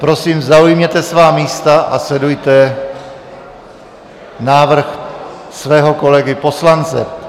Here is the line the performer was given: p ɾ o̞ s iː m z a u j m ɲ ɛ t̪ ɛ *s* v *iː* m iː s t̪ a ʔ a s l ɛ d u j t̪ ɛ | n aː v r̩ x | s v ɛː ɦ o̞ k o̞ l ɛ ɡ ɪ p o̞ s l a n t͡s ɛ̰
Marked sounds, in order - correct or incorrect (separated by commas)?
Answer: correct, incorrect